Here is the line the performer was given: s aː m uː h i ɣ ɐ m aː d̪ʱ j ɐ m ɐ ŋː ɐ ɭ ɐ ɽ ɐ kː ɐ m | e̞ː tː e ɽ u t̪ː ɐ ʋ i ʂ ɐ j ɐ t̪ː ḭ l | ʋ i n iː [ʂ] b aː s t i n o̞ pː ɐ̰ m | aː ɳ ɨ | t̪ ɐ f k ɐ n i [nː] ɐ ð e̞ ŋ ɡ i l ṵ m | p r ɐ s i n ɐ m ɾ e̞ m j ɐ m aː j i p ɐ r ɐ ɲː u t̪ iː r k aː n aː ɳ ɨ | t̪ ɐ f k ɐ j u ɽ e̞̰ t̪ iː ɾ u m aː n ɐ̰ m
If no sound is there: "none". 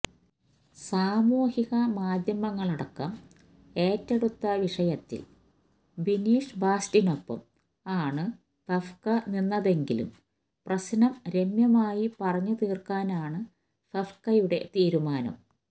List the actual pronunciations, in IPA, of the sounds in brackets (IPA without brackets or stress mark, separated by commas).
ʂ, nː